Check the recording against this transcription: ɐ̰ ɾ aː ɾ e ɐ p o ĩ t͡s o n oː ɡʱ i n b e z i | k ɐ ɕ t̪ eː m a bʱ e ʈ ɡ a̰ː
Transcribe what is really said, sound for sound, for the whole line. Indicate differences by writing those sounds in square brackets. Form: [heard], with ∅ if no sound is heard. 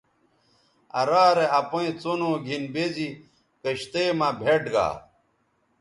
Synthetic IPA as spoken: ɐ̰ ɾ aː ɾ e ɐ p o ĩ t͡s o n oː ɡʱ i n b e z i | k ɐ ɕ t̪ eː m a bʱ e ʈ ɡ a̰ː